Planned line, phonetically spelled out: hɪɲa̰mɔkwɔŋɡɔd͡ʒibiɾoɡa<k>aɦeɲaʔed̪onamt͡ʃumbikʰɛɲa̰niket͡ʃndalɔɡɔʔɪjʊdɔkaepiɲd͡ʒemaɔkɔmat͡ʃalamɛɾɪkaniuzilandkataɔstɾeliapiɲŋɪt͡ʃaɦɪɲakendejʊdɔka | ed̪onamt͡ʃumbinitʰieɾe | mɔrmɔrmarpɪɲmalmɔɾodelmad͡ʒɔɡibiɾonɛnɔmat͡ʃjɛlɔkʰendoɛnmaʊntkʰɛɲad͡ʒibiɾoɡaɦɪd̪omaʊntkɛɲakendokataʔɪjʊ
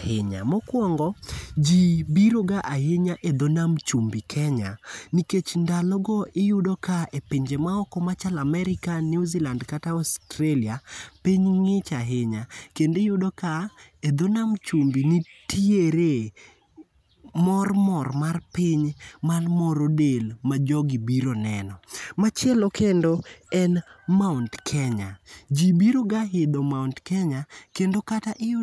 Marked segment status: incorrect: ʔ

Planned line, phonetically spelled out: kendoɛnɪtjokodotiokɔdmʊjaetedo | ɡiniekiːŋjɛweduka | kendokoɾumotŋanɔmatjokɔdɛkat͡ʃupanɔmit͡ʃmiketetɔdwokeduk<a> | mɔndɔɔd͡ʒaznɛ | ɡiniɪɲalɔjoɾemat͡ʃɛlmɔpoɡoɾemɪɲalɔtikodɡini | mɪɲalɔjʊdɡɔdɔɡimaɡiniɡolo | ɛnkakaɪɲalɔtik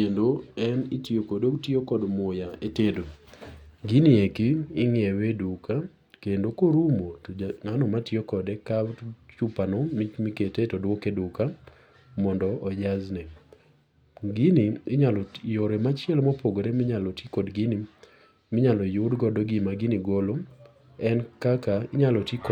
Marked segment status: correct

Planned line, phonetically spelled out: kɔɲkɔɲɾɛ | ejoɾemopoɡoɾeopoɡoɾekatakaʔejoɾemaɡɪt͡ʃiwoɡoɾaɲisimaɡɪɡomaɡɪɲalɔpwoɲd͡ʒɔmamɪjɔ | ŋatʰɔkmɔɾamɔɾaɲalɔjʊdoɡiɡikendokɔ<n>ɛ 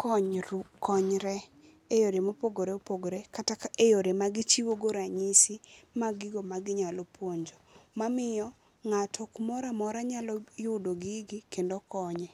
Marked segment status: incorrect: ɲ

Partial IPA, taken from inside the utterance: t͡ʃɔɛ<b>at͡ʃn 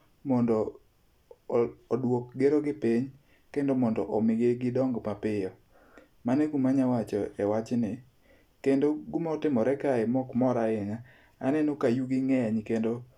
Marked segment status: incorrect: w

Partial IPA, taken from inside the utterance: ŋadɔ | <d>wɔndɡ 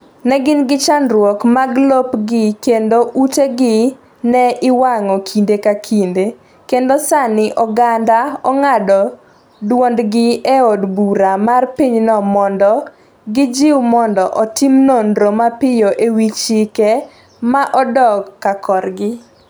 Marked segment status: correct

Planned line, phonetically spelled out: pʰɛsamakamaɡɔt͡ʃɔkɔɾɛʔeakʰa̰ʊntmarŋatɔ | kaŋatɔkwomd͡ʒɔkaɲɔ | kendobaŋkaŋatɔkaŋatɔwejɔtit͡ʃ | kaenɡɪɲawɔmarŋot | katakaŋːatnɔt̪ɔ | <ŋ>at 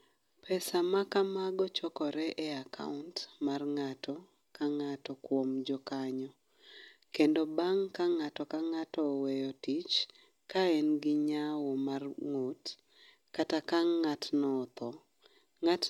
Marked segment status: correct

